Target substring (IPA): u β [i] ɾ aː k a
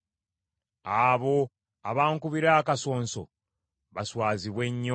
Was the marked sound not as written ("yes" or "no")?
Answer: no